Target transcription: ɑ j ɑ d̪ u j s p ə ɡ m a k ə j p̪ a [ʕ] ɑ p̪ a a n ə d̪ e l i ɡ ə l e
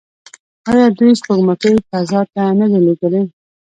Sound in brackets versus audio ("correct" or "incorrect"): incorrect